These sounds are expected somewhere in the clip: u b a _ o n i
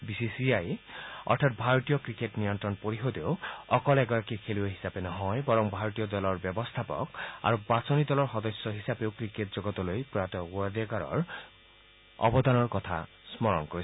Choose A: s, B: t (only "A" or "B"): A